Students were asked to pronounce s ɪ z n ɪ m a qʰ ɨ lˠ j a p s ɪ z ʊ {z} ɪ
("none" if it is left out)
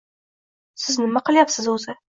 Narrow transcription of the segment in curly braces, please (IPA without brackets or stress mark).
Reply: z